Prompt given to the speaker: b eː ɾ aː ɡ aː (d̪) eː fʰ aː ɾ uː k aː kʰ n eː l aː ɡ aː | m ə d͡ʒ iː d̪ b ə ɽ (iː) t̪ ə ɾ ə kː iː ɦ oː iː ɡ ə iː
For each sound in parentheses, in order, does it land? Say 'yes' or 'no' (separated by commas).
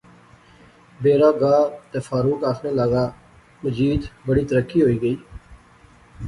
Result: no, yes